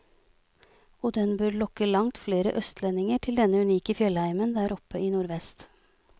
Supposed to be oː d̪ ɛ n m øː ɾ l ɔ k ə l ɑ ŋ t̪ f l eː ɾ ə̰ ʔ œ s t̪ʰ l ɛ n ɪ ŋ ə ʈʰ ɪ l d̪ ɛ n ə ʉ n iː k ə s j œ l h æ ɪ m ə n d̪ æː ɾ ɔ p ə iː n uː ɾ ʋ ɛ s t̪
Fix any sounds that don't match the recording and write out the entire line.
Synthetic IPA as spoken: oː d̪ ɛ n b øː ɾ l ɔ k ə l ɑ ŋ t̪ f l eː ɾ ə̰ ʔ œ s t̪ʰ l ɛ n ɪ ŋ ə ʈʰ ɪ l d̪ ɛ n ə ʉ n iː k ə f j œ l h æ ɪ m ə n d̪ æː ɾ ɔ p ə iː n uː ɾ ʋ ɛ s t̪

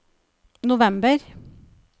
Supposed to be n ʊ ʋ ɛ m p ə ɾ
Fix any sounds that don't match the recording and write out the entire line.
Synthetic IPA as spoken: n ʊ ʋ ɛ m b ə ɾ

